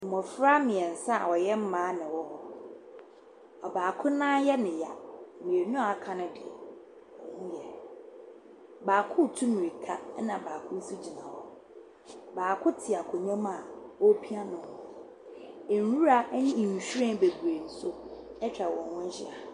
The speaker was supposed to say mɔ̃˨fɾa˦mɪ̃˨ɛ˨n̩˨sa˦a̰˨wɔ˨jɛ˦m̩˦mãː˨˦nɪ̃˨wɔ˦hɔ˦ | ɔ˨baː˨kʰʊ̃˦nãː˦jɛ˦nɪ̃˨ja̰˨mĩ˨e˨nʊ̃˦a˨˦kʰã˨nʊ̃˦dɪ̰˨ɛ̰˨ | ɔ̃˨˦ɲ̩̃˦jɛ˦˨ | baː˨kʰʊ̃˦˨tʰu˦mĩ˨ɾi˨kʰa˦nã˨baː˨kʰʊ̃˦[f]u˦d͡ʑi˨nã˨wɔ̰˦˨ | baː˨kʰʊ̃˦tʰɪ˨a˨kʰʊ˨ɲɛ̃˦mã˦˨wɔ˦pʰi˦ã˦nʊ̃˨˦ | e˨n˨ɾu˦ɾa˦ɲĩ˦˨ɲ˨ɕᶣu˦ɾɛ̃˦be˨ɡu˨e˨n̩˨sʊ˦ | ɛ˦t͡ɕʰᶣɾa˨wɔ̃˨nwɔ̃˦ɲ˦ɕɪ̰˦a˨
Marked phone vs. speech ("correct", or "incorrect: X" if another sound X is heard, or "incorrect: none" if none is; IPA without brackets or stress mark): incorrect: s